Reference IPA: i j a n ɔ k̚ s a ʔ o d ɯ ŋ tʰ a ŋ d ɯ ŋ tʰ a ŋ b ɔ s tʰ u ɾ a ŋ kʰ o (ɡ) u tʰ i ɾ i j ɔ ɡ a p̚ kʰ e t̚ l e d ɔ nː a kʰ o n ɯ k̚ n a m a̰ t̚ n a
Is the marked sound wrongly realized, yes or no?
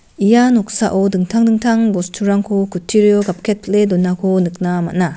yes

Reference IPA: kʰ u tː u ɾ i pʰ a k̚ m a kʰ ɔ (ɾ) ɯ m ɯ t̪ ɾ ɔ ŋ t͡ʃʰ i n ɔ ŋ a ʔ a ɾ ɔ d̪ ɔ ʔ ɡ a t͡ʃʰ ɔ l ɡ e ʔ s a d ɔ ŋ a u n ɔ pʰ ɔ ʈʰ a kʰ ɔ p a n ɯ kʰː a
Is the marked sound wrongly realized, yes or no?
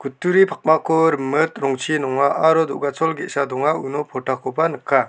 no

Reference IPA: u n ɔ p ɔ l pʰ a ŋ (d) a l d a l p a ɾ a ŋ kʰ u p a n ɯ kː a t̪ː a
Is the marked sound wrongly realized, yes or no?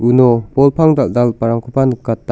no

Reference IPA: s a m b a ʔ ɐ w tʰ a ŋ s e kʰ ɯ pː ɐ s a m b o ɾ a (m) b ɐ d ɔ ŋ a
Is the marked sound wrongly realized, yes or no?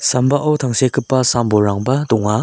yes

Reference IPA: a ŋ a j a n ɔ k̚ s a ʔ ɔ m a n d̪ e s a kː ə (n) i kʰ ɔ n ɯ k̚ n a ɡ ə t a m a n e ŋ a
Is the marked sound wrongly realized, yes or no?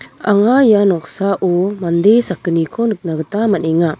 no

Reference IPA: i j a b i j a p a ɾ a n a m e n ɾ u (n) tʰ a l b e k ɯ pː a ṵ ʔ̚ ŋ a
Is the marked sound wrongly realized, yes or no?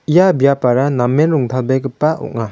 yes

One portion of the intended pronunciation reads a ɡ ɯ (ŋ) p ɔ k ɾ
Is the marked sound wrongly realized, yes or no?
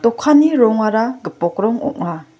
yes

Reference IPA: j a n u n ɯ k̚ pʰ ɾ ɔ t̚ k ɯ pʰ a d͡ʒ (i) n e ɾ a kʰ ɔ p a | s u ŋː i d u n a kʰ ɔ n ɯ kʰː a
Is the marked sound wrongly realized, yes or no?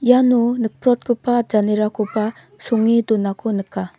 yes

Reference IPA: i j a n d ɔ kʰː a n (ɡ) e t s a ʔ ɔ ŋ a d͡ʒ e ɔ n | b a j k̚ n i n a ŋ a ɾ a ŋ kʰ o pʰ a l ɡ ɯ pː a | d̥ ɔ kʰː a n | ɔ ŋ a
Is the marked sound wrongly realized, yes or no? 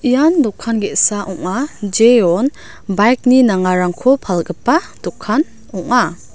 no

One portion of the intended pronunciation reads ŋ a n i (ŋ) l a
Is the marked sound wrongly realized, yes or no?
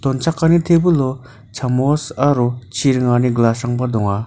yes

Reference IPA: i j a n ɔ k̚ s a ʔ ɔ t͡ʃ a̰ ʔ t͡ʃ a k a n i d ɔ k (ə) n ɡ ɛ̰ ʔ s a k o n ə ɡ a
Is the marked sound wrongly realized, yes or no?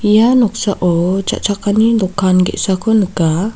yes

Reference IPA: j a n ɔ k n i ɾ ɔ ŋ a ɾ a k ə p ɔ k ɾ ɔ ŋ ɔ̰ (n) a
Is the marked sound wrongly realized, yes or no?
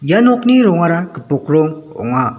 yes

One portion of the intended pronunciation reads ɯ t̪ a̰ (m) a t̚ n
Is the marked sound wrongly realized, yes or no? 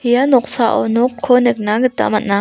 no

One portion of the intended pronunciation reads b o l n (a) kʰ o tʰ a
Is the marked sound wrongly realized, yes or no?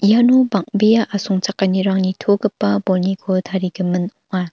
yes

